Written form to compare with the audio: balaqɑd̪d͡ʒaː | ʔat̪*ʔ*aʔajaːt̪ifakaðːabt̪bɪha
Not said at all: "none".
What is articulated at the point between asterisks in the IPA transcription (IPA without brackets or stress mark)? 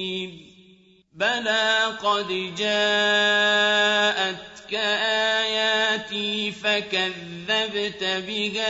k